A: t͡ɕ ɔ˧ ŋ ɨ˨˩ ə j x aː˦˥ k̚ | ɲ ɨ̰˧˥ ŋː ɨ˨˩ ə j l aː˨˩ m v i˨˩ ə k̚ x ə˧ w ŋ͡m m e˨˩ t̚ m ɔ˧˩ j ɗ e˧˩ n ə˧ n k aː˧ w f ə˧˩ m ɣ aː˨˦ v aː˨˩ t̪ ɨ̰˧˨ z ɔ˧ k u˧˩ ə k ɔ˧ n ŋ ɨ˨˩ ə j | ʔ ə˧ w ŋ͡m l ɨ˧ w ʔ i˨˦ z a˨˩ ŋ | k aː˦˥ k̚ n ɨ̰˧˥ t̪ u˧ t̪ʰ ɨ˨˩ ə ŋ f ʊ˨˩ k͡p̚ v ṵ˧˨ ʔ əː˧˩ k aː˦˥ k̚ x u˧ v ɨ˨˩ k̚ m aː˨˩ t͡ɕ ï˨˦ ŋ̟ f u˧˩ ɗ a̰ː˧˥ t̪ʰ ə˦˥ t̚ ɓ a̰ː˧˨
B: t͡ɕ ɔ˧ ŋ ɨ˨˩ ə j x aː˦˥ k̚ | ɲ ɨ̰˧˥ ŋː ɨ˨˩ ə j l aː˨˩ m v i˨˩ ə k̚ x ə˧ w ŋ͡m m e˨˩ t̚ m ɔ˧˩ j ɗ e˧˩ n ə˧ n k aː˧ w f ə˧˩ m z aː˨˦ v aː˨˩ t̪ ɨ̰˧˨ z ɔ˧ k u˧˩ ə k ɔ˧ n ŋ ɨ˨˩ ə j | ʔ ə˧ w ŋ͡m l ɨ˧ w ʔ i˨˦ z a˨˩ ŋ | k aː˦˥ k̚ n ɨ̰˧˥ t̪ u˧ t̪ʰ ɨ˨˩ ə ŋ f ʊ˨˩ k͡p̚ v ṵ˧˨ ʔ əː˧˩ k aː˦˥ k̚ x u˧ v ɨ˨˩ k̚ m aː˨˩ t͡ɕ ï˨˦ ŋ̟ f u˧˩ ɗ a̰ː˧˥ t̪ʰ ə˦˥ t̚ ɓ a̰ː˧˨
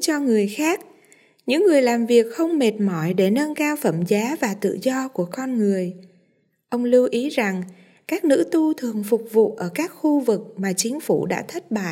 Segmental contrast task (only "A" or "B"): B